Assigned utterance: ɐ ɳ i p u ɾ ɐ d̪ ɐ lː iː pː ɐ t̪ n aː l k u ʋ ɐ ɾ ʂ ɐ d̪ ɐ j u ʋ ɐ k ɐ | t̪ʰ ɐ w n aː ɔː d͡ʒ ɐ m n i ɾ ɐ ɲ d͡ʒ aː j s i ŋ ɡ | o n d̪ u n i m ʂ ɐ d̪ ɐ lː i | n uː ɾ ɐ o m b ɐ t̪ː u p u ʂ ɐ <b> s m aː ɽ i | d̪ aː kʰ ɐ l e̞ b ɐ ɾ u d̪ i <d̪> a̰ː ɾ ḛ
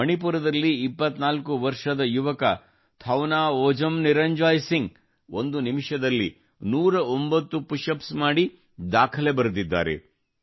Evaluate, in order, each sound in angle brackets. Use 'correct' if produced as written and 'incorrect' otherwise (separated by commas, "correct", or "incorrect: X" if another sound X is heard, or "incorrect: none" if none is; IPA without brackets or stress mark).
incorrect: p, incorrect: d̪ː